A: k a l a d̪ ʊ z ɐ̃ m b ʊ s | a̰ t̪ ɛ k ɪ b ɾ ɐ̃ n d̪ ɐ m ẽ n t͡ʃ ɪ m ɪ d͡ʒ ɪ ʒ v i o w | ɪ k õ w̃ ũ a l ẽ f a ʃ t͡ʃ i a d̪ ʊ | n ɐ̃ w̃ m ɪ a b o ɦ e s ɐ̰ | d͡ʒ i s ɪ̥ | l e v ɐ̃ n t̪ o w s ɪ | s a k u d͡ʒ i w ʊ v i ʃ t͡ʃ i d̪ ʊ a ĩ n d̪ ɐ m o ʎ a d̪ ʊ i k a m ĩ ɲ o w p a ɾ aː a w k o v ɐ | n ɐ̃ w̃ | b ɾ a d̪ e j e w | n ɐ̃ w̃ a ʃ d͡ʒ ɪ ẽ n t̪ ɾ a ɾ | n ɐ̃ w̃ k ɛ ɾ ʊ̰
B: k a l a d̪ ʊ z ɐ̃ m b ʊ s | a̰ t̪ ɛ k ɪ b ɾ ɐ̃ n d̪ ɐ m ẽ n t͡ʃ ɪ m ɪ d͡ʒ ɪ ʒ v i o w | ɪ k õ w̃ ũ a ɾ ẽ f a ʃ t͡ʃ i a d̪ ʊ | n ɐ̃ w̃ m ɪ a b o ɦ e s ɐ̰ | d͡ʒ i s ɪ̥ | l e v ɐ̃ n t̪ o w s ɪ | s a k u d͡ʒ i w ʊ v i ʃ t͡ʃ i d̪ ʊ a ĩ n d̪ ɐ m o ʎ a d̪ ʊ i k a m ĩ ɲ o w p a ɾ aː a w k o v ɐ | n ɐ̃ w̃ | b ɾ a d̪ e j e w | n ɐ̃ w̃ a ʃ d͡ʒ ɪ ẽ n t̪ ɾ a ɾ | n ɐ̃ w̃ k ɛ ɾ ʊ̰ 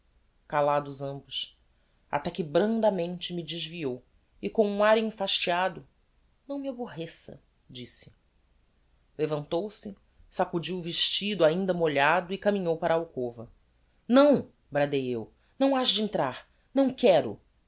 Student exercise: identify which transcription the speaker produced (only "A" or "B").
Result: B